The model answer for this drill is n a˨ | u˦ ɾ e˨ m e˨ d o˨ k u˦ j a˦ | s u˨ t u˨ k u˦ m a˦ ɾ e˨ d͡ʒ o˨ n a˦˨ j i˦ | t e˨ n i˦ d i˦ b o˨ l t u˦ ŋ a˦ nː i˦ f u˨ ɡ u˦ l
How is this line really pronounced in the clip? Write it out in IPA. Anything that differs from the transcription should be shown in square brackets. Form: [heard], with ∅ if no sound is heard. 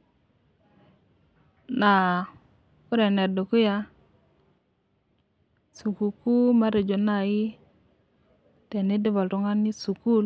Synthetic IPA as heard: n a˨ | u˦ ɾ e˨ [n] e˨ d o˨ k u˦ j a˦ | s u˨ [k] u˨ k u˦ m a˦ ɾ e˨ d͡ʒ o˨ n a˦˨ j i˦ | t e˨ n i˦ d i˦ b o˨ l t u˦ ŋ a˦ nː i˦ [s] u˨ [k] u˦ l

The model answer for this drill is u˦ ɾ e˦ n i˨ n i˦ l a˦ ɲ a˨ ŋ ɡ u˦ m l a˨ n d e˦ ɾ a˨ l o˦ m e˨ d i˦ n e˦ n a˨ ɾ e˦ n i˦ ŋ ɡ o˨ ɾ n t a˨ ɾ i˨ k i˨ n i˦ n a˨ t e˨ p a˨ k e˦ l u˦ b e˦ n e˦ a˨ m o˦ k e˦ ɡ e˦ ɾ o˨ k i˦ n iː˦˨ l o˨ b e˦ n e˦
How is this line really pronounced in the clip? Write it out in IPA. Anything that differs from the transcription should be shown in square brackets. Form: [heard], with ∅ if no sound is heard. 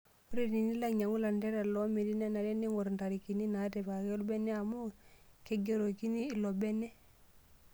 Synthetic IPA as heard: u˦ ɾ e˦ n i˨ n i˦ l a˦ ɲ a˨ ŋ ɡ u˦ [∅] l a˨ n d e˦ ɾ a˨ l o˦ m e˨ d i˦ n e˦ n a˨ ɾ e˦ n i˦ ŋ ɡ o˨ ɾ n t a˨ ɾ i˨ k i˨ n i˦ n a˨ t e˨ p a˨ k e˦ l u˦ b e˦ n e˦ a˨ m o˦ k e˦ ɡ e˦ ɾ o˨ k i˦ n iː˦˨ l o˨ b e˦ n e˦

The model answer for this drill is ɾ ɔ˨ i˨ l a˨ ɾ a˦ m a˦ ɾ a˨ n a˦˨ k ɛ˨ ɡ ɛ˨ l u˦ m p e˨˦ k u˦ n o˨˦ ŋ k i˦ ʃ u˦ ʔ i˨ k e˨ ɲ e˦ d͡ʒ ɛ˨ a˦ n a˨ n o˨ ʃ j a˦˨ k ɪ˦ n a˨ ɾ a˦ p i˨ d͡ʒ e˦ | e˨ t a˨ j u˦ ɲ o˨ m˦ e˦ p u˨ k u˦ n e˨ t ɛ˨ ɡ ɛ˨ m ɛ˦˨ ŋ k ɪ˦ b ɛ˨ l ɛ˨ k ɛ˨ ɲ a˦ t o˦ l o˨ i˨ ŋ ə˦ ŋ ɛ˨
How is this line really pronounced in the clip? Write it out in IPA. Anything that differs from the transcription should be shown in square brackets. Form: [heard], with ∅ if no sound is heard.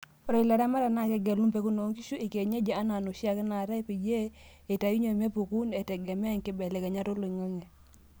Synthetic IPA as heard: ɾ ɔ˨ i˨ l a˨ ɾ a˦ m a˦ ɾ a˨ n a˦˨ k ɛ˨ ɡ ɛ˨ l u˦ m p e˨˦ k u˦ n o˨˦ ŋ k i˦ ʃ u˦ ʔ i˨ k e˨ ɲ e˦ d͡ʒ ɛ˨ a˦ n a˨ n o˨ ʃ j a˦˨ k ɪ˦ n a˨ ɾ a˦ p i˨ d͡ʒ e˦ | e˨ t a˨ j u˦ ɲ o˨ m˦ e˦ p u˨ k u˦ n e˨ t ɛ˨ ɡ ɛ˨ m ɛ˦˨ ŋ k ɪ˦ b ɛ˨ l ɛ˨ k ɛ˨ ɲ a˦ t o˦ l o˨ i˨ ŋ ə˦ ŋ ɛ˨

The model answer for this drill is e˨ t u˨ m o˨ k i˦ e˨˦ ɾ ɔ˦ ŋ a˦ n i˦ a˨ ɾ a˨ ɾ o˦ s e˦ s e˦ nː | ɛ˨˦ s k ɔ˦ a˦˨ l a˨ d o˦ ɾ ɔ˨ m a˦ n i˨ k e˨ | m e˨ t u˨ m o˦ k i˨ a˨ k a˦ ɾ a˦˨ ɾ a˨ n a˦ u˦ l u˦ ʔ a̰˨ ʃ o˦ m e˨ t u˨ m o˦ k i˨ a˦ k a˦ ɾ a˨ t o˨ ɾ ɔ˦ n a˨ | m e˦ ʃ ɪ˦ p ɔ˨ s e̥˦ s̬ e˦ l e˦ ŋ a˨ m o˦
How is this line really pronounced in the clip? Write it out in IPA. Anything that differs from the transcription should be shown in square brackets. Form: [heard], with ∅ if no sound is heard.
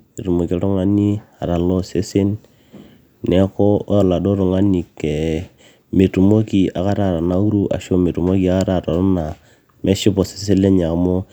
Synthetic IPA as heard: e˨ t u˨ m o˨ k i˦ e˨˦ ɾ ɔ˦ ŋ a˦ n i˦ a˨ ɾ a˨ [l] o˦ s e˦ s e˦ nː | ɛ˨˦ [∅] k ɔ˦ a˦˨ l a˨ d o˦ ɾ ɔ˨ [ŋ] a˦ n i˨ k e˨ | m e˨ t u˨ m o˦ k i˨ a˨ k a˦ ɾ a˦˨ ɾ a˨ n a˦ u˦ [ɾ] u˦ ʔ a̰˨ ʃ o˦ m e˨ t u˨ m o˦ k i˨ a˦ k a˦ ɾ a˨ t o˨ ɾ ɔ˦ n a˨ | m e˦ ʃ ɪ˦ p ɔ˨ s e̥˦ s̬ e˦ l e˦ [ɲ] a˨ m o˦

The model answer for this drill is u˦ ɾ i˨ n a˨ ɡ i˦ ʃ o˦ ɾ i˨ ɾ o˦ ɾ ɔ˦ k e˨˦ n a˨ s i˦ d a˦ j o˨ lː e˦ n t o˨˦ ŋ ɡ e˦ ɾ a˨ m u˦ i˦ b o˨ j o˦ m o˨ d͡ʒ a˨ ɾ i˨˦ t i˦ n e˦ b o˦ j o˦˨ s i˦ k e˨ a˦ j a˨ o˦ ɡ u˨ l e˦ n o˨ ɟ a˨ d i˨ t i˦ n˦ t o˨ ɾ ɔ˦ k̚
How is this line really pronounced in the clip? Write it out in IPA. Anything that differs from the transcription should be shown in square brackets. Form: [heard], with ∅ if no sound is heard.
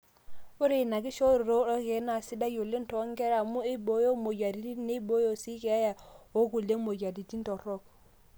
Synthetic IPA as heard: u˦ ɾ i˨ n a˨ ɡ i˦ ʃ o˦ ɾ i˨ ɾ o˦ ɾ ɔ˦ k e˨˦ n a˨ s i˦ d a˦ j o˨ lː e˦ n t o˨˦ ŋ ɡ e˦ ɾ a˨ m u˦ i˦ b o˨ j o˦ m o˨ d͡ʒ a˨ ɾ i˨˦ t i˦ n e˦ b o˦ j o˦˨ s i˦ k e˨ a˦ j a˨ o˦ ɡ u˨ l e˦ [m] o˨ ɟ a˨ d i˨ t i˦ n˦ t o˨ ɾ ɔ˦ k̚

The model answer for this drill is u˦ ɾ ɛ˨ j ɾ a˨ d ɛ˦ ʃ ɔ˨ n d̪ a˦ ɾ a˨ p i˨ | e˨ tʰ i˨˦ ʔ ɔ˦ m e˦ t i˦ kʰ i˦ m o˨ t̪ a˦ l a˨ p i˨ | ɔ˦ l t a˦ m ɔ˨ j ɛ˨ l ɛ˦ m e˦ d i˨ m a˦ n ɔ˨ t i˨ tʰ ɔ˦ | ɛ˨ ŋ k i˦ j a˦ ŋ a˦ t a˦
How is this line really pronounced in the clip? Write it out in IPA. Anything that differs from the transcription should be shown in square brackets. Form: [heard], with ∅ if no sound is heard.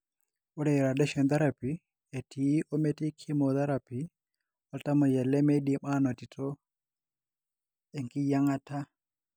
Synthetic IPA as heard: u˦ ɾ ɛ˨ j ɾ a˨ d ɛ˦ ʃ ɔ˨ n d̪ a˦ ɾ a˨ p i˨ | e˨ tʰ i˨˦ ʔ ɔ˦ m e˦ t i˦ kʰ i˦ m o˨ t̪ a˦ [ɾ] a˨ p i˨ | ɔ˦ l t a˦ m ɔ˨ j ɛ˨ l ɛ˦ m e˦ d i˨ m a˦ n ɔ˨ t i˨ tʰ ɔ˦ | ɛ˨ ŋ k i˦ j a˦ ŋ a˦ t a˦

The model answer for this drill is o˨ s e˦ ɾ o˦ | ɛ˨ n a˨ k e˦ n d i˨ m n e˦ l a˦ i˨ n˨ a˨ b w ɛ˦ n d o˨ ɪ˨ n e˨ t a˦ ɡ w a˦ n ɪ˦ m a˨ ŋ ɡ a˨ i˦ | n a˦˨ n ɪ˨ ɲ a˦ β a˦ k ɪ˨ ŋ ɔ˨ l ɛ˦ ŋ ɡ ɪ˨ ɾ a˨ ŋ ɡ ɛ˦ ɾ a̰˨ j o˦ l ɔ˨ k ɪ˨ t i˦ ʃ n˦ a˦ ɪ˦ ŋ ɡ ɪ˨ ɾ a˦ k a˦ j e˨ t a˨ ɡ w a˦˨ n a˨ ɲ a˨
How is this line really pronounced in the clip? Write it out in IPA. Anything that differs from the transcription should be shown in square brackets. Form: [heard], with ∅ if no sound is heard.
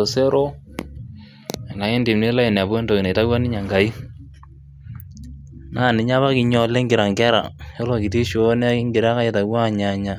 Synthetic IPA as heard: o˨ s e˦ ɾ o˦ | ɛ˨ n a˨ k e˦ n d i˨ m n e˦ l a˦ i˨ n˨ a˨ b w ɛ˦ n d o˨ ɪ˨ n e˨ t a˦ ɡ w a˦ n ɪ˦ [ɲ] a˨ ŋ ɡ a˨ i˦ | n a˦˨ n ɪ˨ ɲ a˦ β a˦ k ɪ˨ [ɲ] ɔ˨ l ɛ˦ ŋ ɡ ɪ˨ ɾ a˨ ŋ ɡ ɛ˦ ɾ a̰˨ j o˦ l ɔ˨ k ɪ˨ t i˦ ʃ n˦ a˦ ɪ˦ ŋ ɡ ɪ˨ ɾ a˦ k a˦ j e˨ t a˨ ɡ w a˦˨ [ɲ] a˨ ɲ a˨

